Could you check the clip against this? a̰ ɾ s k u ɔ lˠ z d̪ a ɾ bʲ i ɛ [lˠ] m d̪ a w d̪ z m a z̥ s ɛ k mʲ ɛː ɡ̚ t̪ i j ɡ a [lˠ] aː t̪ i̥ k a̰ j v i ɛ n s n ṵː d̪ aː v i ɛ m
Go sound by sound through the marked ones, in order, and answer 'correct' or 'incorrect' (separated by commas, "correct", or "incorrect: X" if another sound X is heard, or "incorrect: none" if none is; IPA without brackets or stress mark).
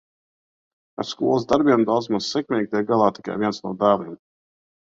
incorrect: none, correct